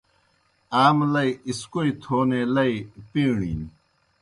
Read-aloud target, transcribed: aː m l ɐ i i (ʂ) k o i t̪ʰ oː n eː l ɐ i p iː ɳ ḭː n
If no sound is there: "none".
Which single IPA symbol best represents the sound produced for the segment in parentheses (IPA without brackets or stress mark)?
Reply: s